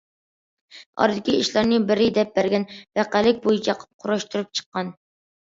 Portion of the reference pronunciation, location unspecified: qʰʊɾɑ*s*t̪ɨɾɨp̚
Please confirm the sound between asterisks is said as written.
no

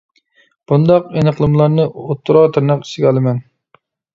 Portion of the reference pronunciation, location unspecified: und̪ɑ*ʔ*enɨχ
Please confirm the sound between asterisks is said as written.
no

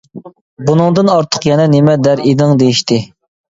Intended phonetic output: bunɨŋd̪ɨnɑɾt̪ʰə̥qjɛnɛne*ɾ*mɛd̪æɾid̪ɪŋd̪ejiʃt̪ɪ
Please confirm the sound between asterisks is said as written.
no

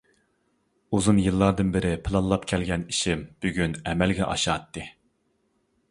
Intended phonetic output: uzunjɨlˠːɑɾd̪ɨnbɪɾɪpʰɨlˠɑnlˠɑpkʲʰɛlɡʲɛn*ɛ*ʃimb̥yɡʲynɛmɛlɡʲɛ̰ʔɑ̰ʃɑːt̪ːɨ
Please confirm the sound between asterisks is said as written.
no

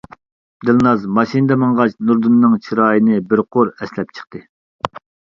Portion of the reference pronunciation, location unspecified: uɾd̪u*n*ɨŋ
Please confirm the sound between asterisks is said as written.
no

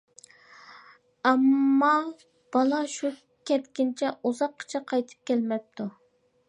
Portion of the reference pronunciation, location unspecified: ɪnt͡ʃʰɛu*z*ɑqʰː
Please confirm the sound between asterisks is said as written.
yes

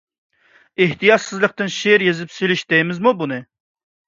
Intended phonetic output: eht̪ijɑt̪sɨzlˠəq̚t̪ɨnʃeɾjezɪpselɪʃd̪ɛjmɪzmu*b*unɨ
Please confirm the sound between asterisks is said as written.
yes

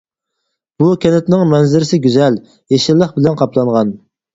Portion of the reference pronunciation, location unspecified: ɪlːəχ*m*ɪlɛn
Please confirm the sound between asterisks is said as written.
no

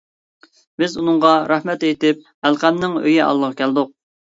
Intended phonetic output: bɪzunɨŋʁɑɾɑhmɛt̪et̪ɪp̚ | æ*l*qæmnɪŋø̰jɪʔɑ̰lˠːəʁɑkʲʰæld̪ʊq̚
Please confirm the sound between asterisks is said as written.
yes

